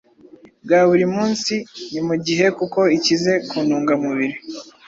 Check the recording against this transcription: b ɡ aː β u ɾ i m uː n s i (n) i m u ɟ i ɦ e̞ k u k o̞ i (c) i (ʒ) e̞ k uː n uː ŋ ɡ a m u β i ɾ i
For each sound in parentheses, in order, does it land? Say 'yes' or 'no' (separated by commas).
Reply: yes, yes, no